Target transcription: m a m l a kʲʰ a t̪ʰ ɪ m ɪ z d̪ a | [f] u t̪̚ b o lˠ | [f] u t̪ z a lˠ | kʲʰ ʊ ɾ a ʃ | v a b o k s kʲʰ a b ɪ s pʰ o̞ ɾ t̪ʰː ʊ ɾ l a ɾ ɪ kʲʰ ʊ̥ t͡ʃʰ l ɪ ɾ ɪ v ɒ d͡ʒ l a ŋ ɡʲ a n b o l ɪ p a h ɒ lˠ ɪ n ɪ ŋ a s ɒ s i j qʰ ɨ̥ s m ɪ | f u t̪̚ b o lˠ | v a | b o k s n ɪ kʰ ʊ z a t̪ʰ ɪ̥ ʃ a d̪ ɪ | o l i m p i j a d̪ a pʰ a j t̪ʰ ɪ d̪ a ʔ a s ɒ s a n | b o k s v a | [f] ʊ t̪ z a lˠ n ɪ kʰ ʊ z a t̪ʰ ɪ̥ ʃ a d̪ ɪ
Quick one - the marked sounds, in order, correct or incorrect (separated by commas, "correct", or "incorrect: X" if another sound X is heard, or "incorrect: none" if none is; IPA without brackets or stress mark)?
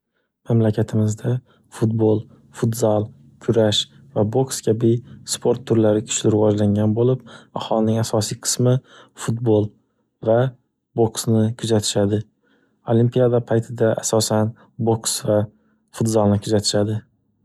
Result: correct, correct, correct